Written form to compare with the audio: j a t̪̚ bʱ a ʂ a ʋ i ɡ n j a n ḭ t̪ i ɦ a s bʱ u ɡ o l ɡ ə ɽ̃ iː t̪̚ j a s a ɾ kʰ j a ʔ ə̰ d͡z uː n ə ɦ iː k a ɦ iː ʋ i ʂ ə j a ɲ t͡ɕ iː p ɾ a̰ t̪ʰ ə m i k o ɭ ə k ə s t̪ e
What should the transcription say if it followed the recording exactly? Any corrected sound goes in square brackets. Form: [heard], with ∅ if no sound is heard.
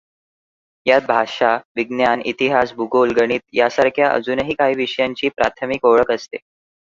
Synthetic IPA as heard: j a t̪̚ bʱ a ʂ a ʋ i ɡ n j a n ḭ t̪ i ɦ a s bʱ u ɡ o l ɡ ə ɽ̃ iː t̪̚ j a s a ɾ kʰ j a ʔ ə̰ d͡z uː n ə ɦ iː k a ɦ iː ʋ i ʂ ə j a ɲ t͡ɕ iː p ɾ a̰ t̪ʰ ə m i k o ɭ ə k ə s t̪ e